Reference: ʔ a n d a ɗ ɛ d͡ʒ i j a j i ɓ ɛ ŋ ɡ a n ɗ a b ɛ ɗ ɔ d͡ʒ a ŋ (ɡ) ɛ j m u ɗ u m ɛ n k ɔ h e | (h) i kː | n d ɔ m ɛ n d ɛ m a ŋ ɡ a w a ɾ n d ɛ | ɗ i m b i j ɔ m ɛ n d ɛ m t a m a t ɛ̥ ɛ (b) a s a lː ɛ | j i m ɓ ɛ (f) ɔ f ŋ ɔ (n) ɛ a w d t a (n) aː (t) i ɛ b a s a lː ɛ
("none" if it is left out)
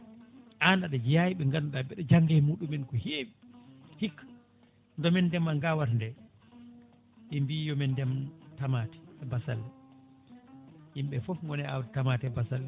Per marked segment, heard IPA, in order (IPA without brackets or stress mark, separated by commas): ɡ, h, b, f, n, m, t